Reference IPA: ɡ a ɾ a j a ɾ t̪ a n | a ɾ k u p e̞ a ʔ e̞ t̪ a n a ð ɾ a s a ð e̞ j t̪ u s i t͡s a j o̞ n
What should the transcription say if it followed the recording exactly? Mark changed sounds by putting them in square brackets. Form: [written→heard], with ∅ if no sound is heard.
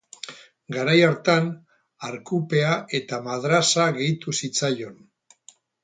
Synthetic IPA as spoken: ɡ a ɾ a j a ɾ t̪ a n | a ɾ k u p e̞ a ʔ e̞ t̪ a [n→m] a ð ɾ a s a [ð→ɣ] e̞ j t̪ u s i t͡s a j o̞ n

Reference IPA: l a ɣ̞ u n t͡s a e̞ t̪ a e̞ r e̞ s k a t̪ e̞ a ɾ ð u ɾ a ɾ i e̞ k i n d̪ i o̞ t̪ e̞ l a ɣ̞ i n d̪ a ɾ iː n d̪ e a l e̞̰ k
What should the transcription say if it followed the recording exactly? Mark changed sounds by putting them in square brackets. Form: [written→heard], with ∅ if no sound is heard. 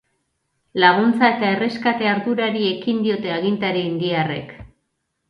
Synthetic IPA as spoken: l a ɣ̞ u n t͡s a e̞ t̪ a e̞ r e̞ s k a t̪ e̞ a ɾ ð u ɾ a ɾ i e̞ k i n d̪ i o̞ t̪ e̞ [l→∅] a ɣ̞ i n [d̪→t̪] a ɾ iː n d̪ [e→i] a [l→r] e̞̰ k

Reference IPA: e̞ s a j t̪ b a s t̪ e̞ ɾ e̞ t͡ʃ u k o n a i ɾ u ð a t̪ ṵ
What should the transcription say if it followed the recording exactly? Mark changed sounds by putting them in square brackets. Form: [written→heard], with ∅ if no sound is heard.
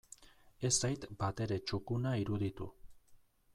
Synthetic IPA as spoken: e̞ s a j t̪ b a [s→∅] t̪ e̞ ɾ e̞ t͡ʃ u k [o→u] n a i ɾ u ð [a→i] t̪ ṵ

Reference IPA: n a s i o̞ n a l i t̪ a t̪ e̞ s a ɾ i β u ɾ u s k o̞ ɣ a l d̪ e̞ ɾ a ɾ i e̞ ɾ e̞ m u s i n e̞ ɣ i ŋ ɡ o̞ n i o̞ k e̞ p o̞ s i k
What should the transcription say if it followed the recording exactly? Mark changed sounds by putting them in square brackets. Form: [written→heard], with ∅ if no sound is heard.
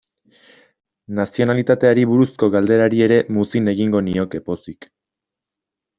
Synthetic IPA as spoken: n a s i o̞ n a l i t̪ a t̪ e̞ [s→∅] a ɾ i β u ɾ u s k o̞ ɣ a l d̪ e̞ ɾ a ɾ i e̞ ɾ e̞ m u s i n e̞ ɣ i ŋ ɡ o̞ n i o̞ k e̞ p o̞ s i k

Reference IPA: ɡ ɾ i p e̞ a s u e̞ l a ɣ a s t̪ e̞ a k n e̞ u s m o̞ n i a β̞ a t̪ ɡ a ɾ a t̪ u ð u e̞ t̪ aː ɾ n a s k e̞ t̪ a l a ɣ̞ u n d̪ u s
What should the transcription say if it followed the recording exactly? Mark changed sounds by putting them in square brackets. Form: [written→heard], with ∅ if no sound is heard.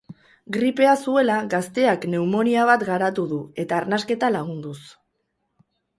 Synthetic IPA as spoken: ɡ ɾ i p e̞ a s u e̞ l a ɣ a s t̪ e̞ a k n e̞ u [s→∅] m o̞ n i a β̞ a t̪ ɡ a ɾ a t̪ u ð u e̞ t̪ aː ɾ n a s k e̞ t̪ a l a ɣ̞ u n d̪ u s

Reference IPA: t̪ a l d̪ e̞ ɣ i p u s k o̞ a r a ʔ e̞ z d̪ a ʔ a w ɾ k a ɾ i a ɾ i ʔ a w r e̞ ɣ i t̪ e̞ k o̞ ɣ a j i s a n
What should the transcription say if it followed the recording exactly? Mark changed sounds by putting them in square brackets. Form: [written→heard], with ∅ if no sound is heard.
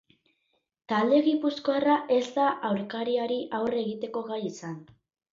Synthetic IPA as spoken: t̪ a l d̪ e̞ ɣ i p u s k o̞ a r a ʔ e̞ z d̪ a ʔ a w ɾ k a ɾ i a ɾ i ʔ a w r e̞ ɣ i t̪ e̞ k o̞ ɣ a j i s a n

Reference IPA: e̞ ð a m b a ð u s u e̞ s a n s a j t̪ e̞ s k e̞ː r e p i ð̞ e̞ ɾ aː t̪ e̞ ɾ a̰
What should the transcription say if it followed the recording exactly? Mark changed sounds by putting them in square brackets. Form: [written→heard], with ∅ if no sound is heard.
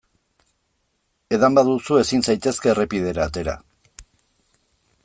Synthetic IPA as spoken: e̞ ð a m b a ð u s u e̞ s [a→i] n s a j t̪ e̞ s k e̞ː r e p i ð̞ e̞ ɾ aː t̪ e̞ ɾ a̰

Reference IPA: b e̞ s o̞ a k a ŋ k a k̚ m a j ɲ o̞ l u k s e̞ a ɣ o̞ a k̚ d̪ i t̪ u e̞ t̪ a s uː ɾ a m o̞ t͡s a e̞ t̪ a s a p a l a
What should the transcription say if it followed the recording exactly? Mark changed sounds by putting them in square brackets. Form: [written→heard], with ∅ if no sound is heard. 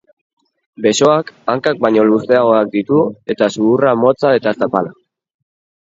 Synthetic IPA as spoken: b e̞ s o̞ a k a ŋ k a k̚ [m→b] a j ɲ o̞ l u [k→∅] s e̞ a ɣ o̞ a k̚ d̪ i t̪ u e̞ t̪ a s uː [ɾ→r] a m o̞ t͡s a e̞ t̪ a s a p a l a

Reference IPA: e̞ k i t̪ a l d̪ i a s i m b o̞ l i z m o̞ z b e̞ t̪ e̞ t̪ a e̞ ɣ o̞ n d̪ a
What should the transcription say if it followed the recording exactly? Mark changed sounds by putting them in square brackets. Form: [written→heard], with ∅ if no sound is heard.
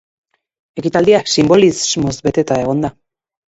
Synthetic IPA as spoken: e̞ k i t̪ a l d̪ i a s i m b o̞ l i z m o̞ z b e̞ t̪ e̞ t̪ a e̞ ɣ o̞ n d̪ a

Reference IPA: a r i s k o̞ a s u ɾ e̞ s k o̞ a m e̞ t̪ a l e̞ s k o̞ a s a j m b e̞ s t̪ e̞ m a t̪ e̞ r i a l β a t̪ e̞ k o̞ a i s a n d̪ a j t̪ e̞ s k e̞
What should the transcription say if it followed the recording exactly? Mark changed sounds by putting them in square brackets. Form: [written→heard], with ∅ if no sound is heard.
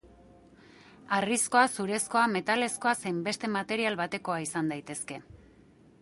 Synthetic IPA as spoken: a r i s k o̞ a s u ɾ e̞ s k o̞ a m e̞ t̪ a l e̞ s k o̞ a s [a→e] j m b e̞ s t̪ e̞ m a t̪ e̞ [r→ɾ] i a l β a t̪ e̞ k o̞ a i s a n d̪ a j t̪ e̞ s k e̞

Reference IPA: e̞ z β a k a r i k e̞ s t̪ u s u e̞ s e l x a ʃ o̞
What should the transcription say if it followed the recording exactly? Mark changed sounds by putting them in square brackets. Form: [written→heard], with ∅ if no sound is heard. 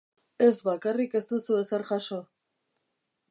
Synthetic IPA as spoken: e̞ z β a k a r i k e̞ s t̪ u s u e̞ s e [l→ɾ] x a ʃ o̞

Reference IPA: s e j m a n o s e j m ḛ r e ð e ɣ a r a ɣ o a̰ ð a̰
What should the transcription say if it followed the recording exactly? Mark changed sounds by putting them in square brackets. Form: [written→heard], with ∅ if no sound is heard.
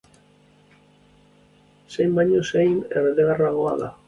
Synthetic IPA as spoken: s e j m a [n→ɲ] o s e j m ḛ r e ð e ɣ a r a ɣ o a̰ ð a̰

